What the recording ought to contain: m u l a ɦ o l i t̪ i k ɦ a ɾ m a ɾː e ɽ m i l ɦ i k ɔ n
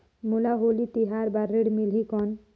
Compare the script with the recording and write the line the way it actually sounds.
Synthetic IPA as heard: m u l a ɦ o l i t̪ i ɦ a ɾ b a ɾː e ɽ m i l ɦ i k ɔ n